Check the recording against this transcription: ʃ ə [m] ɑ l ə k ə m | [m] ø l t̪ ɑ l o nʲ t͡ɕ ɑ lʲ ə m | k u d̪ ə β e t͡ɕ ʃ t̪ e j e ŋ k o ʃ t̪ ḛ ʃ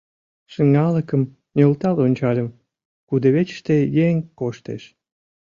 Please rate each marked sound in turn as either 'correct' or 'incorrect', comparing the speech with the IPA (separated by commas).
incorrect, incorrect